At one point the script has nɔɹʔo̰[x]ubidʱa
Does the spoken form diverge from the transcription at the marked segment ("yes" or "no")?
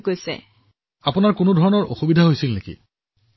no